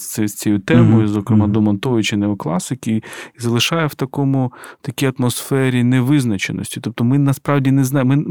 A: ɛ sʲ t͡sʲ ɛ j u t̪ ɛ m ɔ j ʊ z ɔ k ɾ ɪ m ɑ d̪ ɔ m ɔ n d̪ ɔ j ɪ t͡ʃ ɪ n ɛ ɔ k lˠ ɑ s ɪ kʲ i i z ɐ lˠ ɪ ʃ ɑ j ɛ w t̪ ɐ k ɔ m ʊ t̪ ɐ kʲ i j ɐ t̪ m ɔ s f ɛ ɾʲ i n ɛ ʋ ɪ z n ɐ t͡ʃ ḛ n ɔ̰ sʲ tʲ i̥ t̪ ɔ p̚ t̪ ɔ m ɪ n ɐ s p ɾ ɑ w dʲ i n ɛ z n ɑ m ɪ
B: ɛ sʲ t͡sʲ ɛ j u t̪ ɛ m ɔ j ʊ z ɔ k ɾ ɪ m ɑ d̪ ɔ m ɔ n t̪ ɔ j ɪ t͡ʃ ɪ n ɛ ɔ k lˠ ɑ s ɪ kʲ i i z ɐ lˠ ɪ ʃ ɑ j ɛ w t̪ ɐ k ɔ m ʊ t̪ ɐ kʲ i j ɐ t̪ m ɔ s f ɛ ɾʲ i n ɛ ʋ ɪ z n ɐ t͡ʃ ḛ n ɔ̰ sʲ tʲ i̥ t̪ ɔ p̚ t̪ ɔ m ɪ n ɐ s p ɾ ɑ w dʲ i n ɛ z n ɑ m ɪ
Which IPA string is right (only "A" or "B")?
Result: B